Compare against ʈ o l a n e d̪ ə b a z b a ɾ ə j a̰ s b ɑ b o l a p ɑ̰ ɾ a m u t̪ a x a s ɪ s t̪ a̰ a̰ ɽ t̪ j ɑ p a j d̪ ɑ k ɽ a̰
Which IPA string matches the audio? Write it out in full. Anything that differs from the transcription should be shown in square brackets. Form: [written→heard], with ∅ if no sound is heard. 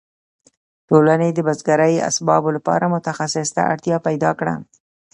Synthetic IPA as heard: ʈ o l a n e d̪ ə b a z [b→ɡ] a ɾ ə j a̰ s b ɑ b o l a p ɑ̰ ɾ a m [u→ʊ] t̪ a x a s ɪ s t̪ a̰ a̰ ɽ t̪ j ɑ p a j d̪ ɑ k ɽ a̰